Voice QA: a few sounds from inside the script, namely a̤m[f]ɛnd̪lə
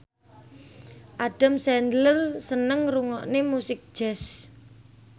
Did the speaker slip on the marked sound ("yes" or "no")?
yes